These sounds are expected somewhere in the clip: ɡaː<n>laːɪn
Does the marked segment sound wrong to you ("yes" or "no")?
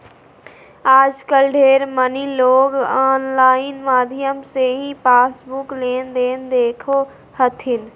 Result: no